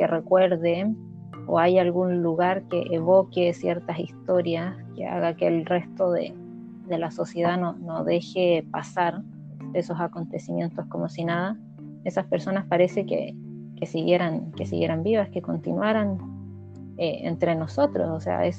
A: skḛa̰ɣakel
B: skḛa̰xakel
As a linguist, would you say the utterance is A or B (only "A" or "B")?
A